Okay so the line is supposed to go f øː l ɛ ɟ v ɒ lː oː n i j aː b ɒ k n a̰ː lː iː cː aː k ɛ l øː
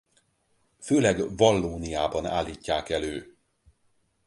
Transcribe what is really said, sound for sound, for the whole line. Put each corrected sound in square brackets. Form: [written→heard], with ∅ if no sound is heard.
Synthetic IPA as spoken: f øː l ɛ [ɟ→ɡ] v ɒ lː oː n i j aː b ɒ [k→∅] n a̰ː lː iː cː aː k ɛ l øː